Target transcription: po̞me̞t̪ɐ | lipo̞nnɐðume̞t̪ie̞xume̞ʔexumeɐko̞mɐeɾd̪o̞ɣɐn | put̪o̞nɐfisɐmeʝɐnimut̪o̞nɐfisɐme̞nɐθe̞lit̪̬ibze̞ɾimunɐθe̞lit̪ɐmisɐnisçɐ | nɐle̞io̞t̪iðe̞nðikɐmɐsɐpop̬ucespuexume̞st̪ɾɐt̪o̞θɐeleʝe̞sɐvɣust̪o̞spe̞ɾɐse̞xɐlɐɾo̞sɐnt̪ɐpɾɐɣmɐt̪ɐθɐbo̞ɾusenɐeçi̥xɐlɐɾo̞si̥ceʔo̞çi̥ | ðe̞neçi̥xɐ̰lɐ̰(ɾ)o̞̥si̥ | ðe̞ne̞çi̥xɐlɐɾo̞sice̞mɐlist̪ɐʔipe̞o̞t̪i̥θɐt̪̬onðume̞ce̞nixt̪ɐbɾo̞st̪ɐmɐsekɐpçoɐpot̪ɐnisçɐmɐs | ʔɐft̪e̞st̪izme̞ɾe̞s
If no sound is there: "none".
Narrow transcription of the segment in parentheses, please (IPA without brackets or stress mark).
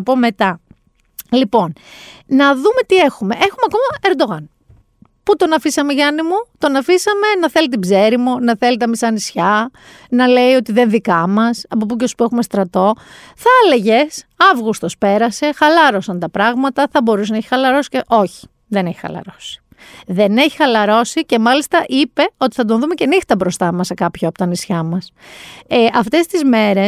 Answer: ɾ